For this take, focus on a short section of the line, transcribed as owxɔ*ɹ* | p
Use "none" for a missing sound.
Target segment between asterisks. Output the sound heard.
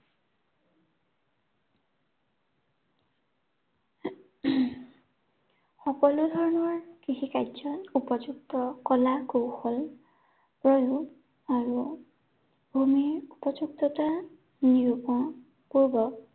l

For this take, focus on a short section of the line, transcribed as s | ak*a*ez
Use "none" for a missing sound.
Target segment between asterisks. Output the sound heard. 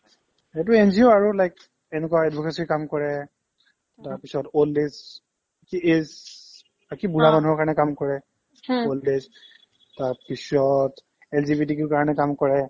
i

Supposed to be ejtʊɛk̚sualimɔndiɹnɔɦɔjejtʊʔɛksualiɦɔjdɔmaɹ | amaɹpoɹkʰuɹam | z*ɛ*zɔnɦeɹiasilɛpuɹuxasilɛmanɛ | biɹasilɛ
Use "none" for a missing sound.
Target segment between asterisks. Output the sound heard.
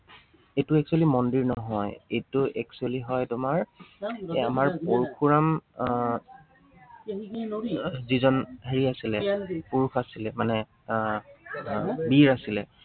i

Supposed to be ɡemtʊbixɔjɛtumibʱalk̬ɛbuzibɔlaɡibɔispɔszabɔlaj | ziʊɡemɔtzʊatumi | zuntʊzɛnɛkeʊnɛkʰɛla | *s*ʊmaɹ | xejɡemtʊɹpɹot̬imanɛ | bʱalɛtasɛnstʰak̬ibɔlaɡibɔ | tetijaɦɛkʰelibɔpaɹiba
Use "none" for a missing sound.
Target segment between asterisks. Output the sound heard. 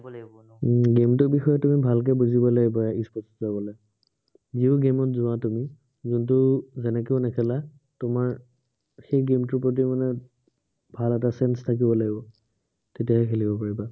t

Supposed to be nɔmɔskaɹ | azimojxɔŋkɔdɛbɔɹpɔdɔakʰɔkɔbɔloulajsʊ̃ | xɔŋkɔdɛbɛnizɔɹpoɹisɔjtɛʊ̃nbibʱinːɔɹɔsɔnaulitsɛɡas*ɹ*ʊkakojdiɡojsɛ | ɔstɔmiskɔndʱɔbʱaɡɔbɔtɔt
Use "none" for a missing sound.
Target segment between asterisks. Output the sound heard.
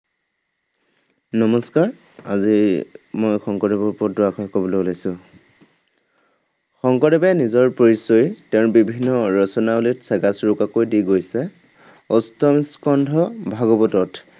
ɹ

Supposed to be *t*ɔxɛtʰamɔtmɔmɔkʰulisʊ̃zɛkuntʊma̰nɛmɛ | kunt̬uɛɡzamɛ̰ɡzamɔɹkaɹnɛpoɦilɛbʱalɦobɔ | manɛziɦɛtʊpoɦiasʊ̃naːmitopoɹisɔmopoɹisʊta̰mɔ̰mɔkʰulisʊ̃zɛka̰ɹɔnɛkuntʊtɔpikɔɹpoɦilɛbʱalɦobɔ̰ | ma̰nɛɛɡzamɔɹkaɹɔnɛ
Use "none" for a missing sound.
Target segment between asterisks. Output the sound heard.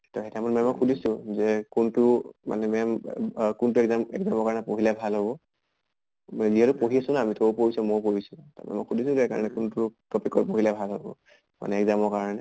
t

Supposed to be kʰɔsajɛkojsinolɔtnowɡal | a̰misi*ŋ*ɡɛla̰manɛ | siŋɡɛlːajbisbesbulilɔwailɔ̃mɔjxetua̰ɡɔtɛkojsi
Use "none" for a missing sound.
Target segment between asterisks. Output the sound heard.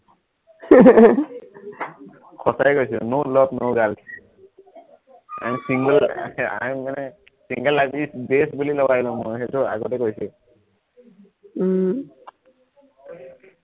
ŋ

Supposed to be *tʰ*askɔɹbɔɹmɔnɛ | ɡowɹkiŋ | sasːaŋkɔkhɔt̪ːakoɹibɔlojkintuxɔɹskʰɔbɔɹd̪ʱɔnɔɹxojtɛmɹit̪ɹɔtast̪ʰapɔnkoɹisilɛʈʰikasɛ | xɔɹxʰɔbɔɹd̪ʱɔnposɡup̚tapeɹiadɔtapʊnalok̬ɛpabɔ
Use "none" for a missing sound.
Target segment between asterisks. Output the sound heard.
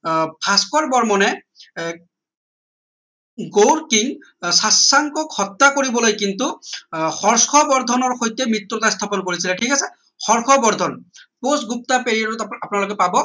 pʰ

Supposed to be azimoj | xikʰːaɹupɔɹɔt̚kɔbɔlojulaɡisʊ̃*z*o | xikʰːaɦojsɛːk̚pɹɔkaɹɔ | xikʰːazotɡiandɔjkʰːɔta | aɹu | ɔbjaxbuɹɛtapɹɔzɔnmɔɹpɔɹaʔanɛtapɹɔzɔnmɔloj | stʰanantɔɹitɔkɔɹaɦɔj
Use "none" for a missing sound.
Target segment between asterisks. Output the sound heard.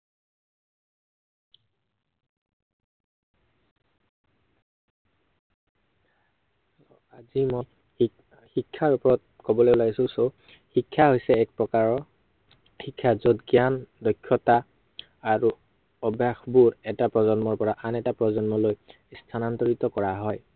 s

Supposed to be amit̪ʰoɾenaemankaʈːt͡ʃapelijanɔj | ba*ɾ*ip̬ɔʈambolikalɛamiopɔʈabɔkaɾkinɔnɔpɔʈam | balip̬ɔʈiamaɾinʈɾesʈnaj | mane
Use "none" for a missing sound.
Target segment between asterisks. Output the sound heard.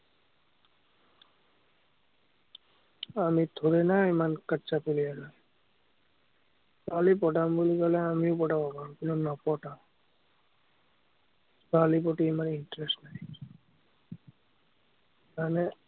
l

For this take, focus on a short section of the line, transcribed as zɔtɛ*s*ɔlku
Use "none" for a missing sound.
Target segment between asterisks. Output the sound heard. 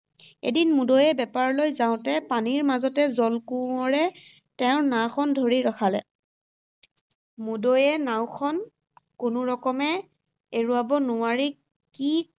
z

